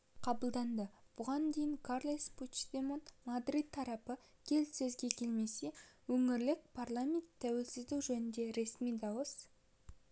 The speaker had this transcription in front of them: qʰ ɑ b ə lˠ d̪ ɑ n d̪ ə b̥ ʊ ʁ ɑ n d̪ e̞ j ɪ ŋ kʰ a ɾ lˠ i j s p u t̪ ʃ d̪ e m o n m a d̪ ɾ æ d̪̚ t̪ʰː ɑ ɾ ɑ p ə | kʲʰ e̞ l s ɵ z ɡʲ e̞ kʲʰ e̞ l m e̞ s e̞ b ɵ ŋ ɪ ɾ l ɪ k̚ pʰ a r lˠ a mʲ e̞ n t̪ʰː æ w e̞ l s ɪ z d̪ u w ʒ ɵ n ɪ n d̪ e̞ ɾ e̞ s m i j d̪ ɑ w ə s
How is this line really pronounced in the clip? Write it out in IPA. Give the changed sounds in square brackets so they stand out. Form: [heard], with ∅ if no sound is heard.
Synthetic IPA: qʰ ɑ b ə lˠ d̪ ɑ n d̪ ə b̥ ʊ ʁ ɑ n d̪ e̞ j ɪ ŋ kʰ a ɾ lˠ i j s p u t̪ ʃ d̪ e m o n m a d̪ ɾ [i] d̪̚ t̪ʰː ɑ ɾ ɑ p ə | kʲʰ e̞ l s ɵ z ɡʲ e̞ kʲʰ e̞ l m e̞ s e̞ [w] ɵ ŋ ɪ ɾ l ɪ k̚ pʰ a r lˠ a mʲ e̞ n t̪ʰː æ w e̞ l s ɪ z d̪ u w ʒ ɵ n ɪ n d̪ e̞ ɾ e̞ s m i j d̪ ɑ w ə s